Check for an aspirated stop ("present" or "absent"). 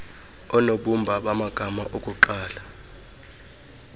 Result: absent